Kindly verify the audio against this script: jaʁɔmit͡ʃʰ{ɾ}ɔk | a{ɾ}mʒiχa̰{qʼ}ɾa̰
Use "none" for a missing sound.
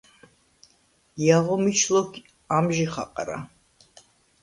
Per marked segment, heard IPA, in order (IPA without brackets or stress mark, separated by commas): l, none, qʼ